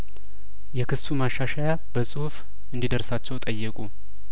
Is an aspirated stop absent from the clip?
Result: yes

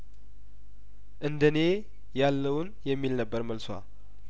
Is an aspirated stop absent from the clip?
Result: yes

